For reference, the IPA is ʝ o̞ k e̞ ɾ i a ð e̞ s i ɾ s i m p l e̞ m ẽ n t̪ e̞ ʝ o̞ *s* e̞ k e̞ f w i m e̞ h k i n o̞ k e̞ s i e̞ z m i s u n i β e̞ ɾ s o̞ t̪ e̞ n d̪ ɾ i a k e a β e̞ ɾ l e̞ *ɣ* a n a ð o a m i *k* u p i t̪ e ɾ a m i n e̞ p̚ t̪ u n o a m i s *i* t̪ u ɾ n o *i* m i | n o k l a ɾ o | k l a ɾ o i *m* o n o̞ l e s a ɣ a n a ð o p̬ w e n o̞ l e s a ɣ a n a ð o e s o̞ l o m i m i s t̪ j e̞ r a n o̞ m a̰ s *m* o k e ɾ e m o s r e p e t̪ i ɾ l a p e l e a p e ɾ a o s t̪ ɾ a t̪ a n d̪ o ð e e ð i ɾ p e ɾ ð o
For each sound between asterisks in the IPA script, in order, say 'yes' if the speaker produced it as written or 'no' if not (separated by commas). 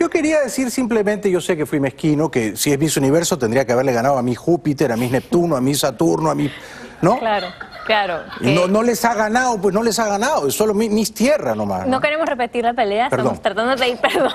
yes, yes, no, no, no, no, no